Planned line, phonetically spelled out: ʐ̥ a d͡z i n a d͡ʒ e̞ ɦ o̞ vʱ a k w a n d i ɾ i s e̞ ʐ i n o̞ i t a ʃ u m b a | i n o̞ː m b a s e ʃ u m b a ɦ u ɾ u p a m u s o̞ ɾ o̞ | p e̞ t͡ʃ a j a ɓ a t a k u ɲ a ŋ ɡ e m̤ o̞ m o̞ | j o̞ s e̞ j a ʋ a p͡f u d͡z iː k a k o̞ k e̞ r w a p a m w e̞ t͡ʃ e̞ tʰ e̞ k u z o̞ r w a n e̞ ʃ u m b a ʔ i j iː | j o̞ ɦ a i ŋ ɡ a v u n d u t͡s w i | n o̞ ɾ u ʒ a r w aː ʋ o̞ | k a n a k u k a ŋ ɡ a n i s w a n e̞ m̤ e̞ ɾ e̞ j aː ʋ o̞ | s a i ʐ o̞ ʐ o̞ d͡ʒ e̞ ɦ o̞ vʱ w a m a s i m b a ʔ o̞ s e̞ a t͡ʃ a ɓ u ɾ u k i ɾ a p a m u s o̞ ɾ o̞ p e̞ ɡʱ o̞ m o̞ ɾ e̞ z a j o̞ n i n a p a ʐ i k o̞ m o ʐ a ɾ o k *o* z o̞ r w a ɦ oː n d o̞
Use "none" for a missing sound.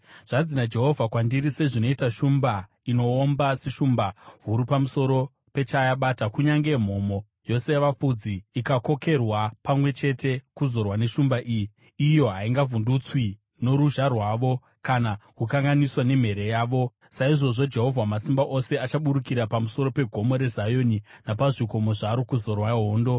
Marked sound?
u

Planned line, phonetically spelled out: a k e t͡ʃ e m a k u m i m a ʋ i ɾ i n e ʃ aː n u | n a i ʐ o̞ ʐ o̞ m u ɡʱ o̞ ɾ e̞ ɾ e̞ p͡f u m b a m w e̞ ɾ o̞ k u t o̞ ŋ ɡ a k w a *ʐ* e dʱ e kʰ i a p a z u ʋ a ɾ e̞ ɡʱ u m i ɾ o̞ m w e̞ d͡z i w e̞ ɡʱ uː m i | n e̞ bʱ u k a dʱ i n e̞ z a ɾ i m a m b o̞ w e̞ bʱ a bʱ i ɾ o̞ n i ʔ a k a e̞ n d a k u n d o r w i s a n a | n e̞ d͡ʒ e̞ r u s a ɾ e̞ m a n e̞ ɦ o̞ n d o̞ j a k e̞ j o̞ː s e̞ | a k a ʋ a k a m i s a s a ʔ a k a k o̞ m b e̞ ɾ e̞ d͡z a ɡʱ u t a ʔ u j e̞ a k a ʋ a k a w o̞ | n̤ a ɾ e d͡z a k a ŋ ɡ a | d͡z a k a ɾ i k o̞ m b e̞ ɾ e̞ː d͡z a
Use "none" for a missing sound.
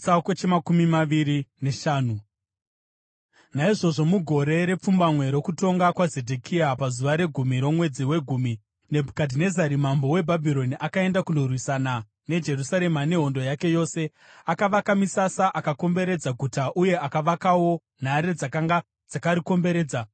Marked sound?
z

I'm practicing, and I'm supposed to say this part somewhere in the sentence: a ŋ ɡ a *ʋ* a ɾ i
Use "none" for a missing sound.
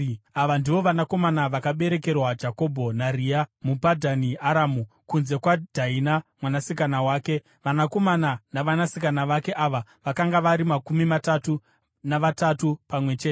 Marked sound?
ʋ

